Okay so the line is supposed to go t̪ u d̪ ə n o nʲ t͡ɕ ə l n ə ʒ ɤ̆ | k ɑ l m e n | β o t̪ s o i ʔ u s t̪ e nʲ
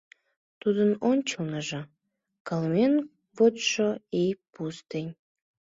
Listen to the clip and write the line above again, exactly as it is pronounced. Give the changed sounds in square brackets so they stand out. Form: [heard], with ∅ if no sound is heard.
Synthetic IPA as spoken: t̪ u d̪ ə n o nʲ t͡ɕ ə l n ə ʒ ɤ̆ | k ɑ l m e n | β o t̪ [ʃ] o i [p] u s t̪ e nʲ